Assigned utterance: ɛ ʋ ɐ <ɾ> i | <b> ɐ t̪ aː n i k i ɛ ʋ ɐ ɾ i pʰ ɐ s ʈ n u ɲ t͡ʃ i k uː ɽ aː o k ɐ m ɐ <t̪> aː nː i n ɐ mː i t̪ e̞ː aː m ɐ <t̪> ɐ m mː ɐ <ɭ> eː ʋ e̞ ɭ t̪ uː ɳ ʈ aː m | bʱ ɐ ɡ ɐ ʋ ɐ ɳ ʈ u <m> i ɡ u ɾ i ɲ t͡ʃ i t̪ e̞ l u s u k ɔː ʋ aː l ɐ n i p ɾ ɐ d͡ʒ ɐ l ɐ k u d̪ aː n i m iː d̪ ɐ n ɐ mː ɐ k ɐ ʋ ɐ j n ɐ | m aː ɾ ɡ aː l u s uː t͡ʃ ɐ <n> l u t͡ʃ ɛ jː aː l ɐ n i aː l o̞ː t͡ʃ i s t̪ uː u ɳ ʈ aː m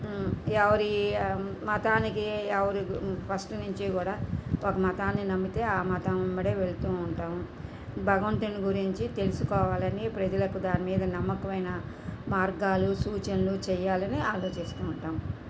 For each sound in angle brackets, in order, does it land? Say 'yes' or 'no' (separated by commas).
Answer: yes, no, yes, yes, no, no, yes